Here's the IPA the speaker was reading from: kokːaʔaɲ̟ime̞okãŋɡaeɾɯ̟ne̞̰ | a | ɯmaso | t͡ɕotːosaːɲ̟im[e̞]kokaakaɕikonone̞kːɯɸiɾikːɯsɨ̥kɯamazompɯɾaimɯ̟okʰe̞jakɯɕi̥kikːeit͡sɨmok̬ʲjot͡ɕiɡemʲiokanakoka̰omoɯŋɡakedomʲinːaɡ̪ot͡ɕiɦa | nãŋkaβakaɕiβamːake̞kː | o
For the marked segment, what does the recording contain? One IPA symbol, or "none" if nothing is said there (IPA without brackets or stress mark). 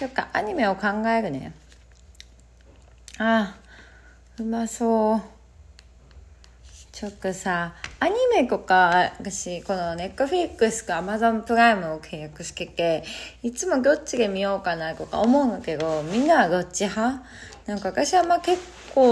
e̞